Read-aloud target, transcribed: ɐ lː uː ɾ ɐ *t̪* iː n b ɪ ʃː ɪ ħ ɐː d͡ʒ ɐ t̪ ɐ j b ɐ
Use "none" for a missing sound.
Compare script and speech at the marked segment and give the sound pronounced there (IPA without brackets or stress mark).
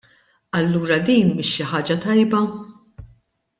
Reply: d̪